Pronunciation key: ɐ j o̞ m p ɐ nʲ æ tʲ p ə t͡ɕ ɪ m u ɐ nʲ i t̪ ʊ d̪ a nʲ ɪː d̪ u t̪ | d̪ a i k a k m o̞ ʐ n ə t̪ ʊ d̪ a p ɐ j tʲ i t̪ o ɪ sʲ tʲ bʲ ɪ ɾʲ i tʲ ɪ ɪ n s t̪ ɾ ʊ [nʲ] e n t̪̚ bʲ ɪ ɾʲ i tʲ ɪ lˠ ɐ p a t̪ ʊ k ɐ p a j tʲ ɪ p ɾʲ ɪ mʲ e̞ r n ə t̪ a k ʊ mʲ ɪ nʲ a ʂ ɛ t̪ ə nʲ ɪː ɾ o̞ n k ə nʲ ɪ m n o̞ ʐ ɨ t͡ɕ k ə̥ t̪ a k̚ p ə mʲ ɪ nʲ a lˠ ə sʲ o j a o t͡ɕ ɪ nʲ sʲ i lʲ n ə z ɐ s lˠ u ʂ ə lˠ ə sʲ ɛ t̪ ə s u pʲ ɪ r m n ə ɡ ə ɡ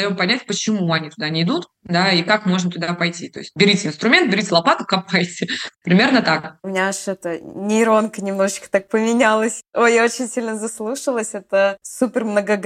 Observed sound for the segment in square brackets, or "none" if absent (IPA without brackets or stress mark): mʲ